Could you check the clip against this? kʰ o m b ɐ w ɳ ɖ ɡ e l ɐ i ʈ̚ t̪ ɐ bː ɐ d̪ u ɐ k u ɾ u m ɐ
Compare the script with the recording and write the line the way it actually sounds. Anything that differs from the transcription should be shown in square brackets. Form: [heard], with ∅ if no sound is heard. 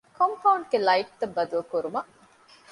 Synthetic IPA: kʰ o m [p] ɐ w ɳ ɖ ɡ e l ɐ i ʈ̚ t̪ ɐ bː ɐ d̪ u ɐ k u ɾ u m ɐ